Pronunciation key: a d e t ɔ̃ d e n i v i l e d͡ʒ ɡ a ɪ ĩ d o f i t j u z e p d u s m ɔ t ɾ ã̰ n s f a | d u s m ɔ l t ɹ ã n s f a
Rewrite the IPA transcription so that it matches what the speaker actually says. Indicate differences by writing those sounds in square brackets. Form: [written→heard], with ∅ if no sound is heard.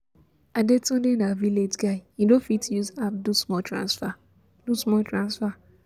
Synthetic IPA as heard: a d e t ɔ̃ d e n [i→a] v i l e d͡ʒ ɡ a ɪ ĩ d o f i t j u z [e→a] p d u s m ɔ t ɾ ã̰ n s f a | d u s m ɔ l t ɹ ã n s f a